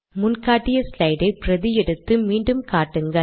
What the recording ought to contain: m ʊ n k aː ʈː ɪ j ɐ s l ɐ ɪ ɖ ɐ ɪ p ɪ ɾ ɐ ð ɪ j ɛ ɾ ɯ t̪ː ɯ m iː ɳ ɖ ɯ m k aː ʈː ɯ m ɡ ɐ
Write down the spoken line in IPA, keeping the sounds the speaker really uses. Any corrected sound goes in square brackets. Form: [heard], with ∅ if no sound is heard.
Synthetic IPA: m ʊ n k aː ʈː ɪ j ɐ s l ɐ ɪ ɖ ɐ ɪ p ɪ ɾ ɐ ð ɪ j ɛ [ɽ] ɯ t̪ː ɯ m iː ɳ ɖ ɯ m k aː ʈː ɯ [ŋ] ɡ ɐ

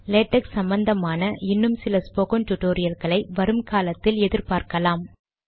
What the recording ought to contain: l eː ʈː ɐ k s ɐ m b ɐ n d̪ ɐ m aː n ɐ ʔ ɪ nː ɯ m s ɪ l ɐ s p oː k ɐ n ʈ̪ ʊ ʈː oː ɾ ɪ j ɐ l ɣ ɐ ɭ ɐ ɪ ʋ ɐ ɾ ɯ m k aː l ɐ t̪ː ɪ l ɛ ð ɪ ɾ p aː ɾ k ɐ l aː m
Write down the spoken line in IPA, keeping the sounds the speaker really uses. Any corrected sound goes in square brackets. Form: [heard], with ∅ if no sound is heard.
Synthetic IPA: l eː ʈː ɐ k s ɐ m b ɐ n d̪ ɐ m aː n ɐ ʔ ɪ nː ɯ m s ɪ l ɐ s p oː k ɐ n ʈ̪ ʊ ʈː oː ɾ ɪ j ɐ l ɣ ɐ ɭ ɐ ɪ ʋ ɐ ɾ ɯ m k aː l ɐ t̪ː ɪ l ɛ ð ɪ ɾ p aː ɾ k ɐ l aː m

